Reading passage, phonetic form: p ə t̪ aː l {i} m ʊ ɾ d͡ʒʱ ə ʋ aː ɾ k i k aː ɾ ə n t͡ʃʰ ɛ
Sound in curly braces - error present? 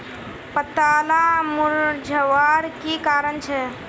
yes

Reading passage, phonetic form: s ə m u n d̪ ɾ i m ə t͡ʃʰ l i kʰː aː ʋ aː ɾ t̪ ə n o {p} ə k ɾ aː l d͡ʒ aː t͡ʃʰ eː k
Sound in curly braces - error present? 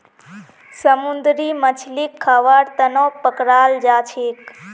no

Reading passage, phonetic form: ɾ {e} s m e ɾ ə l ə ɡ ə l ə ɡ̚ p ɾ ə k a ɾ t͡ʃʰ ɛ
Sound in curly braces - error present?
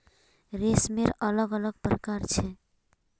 no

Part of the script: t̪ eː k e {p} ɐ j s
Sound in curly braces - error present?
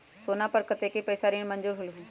no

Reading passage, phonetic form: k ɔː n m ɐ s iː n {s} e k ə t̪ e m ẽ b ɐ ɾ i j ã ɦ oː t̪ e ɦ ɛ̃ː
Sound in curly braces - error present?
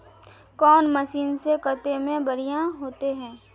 no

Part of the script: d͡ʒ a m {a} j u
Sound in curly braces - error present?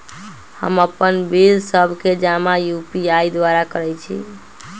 no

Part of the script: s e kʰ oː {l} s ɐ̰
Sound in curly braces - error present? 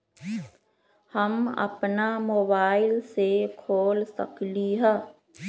no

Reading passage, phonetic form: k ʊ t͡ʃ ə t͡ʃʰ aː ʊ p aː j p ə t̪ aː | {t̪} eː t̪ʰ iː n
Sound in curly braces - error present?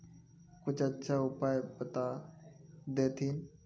yes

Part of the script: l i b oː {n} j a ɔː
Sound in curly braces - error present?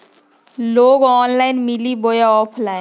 yes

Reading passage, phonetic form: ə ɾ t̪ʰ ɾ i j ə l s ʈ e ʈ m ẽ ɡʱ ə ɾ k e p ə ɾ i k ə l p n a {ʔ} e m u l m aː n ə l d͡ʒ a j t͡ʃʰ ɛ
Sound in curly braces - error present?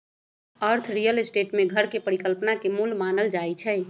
yes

